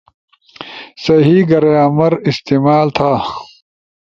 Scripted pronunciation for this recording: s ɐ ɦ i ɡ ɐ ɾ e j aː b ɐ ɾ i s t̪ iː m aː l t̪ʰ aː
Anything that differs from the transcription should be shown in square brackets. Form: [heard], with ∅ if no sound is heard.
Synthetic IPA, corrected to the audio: s ɐ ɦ i ɡ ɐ ɾ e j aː [m] ɐ ɾ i s t̪ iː m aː l t̪ʰ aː

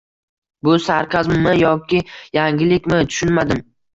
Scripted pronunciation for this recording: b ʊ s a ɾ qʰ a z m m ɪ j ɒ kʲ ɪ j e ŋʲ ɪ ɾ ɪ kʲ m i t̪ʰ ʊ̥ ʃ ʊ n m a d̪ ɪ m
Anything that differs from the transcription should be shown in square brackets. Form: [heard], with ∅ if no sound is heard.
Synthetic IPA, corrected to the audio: b ʊ s a ɾ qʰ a z m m ɪ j ɒ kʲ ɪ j [a] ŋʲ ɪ [l] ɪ kʲ m [ɪ] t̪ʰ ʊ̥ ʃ ʊ n m a d̪ ɪ m

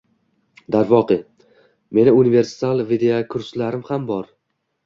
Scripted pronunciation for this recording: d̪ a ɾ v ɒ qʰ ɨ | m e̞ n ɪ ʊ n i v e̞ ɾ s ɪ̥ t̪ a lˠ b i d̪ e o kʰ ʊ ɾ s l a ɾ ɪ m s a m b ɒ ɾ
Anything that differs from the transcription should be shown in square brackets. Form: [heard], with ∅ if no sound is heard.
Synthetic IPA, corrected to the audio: d̪ a ɾ v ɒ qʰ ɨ | m e̞ n ɪ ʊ n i v e̞ ɾ s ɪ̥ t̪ a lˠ [v] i d̪ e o kʰ ʊ ɾ s l a ɾ ɪ m [h] a m b ɒ ɾ

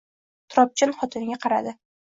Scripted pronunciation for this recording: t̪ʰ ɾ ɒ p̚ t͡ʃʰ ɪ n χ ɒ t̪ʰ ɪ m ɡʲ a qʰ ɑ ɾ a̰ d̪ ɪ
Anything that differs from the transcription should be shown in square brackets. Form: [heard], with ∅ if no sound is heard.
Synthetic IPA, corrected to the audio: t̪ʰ ɾ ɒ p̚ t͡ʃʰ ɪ n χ ɒ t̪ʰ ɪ [n] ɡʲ a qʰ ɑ ɾ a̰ d̪ ɪ

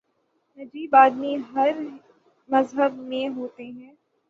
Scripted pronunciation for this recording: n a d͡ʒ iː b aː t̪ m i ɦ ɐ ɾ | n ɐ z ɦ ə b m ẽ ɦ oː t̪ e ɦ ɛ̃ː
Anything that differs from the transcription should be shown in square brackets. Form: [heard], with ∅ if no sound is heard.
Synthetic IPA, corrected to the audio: n [ɐ] d͡ʒ iː b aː [d̪] m i ɦ ɐ ɾ | [m] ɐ z ɦ ə b m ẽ ɦ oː t̪ e ɦ ɛ̃ː

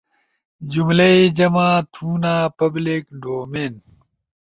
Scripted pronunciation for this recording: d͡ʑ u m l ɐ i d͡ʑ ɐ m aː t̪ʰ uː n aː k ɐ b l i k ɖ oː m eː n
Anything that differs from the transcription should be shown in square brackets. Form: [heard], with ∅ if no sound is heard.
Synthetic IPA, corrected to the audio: d͡ʑ u m l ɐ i d͡ʑ ɐ m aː t̪ʰ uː n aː [p] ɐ b l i k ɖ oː m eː n

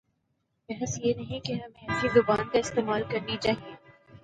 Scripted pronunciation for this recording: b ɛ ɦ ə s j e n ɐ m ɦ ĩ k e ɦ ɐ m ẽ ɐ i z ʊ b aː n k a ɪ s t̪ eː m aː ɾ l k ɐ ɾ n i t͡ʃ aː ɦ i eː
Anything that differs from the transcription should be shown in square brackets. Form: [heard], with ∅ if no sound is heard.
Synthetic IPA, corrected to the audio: b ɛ ɦ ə s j e n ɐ [∅] ɦ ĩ k e ɦ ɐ m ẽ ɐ i z ʊ b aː n k a ɪ s t̪ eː m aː [∅] l k ɐ ɾ n i t͡ʃ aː ɦ i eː

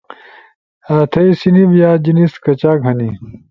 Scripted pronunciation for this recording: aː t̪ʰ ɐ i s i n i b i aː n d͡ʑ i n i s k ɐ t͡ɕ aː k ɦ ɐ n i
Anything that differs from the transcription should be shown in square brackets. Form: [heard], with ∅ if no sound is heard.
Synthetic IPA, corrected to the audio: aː t̪ʰ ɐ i s i n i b [j] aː [∅] d͡ʑ i n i s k ɐ t͡ɕ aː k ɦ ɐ n i

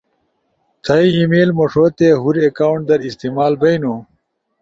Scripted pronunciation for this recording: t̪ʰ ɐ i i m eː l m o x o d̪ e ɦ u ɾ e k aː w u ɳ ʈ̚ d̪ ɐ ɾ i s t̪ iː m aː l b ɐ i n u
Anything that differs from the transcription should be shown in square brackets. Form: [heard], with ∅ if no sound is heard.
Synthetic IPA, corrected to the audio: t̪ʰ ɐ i i m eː l m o [ʂ] o [t̪] e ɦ u ɾ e k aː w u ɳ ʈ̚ d̪ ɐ ɾ i s t̪ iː m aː l b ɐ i n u

